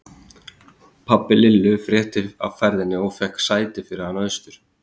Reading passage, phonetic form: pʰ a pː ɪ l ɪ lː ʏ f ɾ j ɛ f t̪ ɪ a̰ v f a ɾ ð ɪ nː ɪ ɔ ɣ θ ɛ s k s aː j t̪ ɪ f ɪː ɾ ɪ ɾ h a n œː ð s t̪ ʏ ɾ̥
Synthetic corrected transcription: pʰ a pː ɪ l ɪ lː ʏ f ɾ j ɛ h t̪ ɪ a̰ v f ɛ ɾ ð ɪ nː ɪ ɔ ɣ f ɛ h k s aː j t̪ ɪ f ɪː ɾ ɪ ɾ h a n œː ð s t̪ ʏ ɾ̥